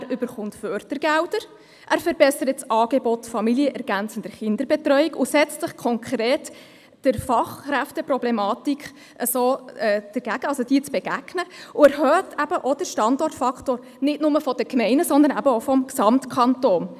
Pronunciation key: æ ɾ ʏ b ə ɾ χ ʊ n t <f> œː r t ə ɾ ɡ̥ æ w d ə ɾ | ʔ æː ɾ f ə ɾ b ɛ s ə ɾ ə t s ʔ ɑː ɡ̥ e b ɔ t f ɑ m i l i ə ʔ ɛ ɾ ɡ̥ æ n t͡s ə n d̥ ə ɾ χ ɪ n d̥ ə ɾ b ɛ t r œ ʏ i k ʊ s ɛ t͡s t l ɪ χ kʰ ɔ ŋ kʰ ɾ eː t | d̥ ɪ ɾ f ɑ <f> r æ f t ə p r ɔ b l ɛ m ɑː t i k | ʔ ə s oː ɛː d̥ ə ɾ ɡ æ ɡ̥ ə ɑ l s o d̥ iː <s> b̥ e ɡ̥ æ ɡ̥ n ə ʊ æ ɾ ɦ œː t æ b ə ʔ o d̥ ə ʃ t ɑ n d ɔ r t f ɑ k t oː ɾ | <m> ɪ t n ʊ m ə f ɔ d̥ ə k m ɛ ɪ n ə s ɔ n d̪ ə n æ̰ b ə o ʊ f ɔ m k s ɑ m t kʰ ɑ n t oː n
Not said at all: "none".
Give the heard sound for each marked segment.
f, χ, t͡s, n

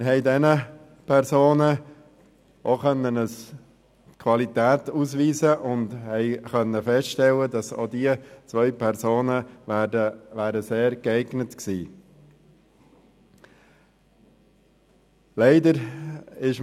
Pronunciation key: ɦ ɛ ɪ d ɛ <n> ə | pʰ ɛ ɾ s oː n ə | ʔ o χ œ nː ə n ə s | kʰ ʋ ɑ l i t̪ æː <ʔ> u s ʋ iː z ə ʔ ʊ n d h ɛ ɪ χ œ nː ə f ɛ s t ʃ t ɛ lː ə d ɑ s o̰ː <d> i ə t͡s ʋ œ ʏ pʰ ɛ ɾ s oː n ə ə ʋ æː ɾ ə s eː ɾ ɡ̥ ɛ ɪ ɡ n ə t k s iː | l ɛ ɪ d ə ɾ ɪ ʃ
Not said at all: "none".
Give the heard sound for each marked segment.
n, t, d

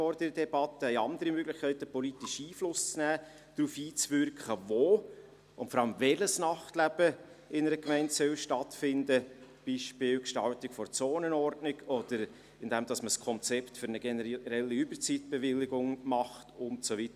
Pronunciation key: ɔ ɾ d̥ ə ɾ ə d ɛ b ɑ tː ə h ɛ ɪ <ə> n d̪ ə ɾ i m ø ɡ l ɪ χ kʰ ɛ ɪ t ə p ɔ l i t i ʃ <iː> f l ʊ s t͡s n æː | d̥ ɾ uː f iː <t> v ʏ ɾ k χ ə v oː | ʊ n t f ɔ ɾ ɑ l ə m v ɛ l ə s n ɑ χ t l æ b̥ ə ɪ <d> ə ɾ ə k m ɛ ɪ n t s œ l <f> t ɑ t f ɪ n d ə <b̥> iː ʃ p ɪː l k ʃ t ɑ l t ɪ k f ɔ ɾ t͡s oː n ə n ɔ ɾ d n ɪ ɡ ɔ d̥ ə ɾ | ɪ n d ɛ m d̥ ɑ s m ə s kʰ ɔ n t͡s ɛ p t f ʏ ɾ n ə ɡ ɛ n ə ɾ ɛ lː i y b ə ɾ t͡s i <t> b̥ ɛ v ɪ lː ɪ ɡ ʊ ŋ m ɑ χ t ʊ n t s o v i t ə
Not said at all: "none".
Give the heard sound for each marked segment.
ɑ, iː, t͡s, n, ʃ, b̥, t

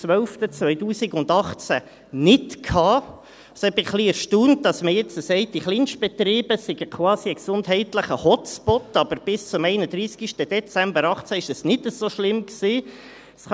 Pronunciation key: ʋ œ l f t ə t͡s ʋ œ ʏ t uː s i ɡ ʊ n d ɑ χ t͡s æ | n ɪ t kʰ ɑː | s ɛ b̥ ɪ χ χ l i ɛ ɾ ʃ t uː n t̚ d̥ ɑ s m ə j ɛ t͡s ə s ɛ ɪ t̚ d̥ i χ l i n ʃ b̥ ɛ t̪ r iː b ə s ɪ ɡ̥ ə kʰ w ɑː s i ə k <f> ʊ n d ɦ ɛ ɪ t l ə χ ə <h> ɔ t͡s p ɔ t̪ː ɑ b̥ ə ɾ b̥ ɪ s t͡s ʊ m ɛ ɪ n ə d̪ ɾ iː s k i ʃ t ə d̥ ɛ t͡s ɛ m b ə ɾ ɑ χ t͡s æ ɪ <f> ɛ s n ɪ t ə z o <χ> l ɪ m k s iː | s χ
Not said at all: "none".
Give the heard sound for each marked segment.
s, h, ʃ, ʃ

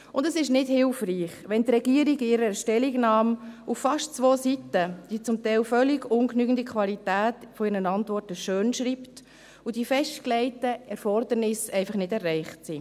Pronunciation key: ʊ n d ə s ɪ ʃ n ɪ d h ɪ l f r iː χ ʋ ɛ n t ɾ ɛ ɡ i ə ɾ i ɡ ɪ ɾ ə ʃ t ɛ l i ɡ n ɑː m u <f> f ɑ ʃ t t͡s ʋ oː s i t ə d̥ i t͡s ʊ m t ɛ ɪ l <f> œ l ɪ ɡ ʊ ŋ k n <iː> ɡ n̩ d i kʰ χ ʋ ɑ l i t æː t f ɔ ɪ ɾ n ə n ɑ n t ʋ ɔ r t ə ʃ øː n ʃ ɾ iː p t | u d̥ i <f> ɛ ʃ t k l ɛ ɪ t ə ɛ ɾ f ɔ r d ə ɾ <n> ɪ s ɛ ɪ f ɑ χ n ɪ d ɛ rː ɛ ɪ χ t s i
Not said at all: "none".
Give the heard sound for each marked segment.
f, f, yː, f, n

